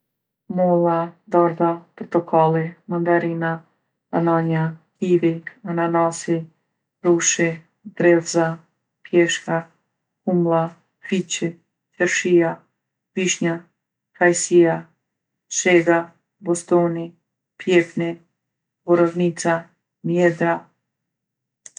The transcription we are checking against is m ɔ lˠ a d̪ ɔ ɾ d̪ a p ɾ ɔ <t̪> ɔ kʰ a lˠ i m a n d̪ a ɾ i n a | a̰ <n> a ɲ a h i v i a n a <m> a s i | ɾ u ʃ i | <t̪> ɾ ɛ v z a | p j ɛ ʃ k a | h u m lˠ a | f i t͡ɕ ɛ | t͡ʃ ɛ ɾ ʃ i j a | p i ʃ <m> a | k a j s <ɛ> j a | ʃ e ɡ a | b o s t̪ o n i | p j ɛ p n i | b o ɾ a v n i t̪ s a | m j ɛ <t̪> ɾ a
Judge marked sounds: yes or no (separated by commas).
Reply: yes, yes, no, no, no, no, no